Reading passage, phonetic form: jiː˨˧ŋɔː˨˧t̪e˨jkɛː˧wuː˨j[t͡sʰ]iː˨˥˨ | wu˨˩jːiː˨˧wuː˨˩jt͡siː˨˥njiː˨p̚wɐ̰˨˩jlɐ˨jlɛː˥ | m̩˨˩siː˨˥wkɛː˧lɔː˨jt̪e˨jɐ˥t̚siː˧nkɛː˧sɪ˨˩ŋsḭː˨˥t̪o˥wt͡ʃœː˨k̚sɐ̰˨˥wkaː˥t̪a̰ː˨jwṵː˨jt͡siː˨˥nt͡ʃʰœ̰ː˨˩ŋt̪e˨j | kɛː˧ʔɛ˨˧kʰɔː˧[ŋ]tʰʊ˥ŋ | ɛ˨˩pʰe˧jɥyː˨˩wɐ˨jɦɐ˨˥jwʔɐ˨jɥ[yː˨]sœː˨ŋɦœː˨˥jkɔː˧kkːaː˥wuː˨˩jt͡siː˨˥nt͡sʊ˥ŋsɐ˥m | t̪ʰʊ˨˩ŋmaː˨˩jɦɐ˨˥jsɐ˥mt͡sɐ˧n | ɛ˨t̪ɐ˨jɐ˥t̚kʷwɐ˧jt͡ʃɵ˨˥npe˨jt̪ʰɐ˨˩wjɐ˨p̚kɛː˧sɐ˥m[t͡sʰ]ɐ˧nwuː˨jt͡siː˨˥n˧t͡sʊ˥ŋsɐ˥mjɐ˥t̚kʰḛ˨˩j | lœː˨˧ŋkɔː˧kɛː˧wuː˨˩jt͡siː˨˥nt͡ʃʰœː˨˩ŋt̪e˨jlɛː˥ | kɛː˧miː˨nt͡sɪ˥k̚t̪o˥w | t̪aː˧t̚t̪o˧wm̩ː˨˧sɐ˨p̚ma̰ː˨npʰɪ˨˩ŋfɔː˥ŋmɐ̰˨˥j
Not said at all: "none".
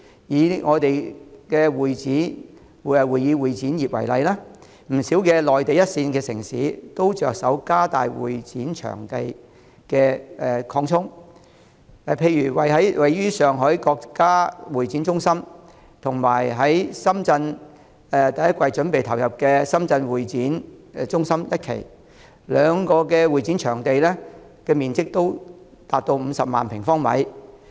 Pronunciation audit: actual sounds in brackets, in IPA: t͡s, ŋ, yː˥, t͡s

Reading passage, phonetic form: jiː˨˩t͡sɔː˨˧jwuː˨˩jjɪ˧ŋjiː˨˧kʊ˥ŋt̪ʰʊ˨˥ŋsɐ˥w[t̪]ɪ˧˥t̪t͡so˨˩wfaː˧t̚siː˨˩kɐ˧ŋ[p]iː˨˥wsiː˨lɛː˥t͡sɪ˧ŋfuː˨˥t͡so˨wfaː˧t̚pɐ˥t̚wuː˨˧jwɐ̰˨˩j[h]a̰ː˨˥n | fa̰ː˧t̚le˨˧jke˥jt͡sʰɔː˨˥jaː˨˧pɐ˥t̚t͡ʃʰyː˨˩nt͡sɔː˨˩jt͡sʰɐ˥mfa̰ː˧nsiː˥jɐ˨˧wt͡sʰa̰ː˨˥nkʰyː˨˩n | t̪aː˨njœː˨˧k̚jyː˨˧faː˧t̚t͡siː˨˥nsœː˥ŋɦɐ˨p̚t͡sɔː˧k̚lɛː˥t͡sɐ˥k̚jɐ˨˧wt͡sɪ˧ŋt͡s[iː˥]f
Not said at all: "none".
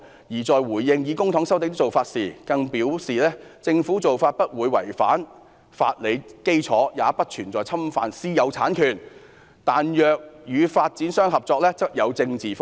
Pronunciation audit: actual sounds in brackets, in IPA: t̪, p, f, iː˨

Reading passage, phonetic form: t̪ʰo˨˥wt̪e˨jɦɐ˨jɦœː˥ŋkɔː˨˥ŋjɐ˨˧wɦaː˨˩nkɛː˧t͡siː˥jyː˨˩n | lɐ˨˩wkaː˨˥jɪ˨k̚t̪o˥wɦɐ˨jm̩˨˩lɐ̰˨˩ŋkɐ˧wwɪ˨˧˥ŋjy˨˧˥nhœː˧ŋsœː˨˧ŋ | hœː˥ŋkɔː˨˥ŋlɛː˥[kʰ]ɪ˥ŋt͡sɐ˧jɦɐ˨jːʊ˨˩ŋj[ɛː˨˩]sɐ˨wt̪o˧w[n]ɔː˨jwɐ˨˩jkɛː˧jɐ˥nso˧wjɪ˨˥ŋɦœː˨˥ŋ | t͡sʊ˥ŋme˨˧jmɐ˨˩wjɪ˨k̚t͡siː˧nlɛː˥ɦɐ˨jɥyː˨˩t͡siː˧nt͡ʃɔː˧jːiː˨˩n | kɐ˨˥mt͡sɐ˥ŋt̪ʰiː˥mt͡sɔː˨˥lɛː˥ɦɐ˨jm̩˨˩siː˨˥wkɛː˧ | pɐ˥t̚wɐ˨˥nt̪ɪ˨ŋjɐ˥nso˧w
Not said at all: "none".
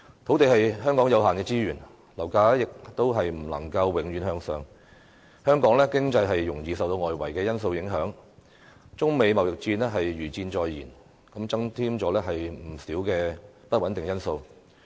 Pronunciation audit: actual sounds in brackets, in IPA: k, iː˨˩, ŋ

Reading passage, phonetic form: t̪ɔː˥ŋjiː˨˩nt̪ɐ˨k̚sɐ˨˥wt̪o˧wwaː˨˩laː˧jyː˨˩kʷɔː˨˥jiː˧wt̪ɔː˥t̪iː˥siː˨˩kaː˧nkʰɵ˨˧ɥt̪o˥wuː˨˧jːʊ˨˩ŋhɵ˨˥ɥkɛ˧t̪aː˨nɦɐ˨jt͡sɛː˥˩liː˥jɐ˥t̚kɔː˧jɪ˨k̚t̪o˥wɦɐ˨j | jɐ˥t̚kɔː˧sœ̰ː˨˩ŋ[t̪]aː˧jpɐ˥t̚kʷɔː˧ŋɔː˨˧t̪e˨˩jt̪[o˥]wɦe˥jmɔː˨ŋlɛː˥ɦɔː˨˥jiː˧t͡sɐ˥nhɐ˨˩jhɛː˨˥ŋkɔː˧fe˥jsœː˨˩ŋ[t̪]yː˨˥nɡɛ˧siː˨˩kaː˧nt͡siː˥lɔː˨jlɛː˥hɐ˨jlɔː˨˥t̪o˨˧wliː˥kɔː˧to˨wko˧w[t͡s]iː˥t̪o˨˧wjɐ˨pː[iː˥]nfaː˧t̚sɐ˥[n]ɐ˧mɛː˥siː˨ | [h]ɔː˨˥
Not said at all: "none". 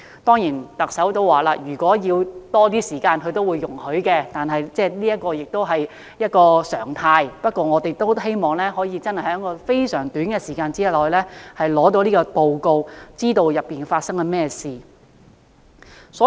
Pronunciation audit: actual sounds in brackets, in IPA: t̪ʰ, o˥, t̪, t͡s, iː˨˩, ŋ, s

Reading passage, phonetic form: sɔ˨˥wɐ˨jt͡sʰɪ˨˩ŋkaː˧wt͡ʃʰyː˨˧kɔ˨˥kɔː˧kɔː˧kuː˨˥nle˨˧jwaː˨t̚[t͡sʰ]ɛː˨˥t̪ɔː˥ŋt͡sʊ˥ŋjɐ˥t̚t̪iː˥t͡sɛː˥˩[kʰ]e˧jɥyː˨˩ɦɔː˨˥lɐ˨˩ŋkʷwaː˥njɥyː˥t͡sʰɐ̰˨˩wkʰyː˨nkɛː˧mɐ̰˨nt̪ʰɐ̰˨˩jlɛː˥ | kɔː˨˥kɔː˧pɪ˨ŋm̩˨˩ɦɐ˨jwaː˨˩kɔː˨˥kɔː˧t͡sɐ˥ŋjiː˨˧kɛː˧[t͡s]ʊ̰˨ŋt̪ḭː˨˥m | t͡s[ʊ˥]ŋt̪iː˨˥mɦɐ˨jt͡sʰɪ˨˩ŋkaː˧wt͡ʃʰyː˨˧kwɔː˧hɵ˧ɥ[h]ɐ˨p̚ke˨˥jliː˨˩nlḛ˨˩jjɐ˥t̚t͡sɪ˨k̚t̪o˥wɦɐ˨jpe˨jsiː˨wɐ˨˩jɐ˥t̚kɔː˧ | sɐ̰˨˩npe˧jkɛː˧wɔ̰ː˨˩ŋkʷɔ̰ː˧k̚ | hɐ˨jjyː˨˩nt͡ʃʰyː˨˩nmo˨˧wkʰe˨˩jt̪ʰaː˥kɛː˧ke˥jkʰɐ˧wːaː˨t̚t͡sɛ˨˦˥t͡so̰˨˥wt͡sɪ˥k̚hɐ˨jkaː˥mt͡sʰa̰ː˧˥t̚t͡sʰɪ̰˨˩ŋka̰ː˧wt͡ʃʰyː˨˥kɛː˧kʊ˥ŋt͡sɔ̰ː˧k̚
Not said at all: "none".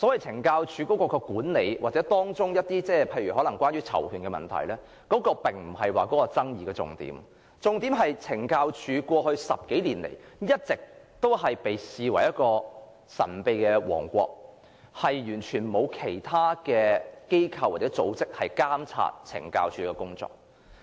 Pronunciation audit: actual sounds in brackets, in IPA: t͡s, pʰ, t͡s, ʊ˨, s

